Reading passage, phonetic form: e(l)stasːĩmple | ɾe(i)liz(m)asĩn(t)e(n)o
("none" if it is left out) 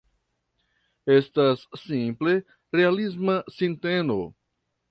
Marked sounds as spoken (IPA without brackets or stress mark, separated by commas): none, a, m, t, n